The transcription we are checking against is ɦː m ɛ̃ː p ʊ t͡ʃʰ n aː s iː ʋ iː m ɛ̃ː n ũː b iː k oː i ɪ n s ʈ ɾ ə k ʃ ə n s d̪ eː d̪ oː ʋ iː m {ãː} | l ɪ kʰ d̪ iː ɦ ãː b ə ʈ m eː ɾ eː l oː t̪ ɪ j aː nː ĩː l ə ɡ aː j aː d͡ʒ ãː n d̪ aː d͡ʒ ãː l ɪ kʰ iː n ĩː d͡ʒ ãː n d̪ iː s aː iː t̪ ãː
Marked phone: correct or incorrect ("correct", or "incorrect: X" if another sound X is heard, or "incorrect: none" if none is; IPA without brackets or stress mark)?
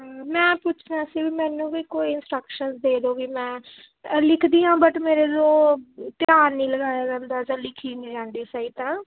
incorrect: ɛ̃ː